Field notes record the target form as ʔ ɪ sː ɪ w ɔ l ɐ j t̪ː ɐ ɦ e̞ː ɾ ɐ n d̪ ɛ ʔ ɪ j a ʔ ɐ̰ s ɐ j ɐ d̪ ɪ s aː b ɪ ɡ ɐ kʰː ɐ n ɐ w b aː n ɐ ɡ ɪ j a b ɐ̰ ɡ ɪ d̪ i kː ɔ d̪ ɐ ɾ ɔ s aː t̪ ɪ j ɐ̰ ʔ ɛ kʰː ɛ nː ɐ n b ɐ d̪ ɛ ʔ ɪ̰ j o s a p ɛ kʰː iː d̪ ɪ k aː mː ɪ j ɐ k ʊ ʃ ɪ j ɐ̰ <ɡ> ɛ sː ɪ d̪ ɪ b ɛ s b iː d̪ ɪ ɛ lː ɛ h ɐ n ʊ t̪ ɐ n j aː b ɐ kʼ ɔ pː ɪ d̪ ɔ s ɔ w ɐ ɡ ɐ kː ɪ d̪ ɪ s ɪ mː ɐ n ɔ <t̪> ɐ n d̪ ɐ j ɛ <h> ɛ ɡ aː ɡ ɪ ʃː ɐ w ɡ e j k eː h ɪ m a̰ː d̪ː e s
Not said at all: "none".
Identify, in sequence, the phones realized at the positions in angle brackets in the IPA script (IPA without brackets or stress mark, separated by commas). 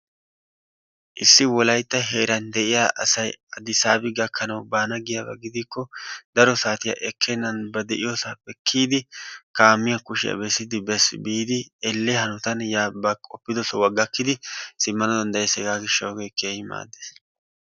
b, d̪, s